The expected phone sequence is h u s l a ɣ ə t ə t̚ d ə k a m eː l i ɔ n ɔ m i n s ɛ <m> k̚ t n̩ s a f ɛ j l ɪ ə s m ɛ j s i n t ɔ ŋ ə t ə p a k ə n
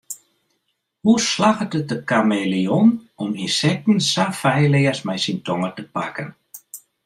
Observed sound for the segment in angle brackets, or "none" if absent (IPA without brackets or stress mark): none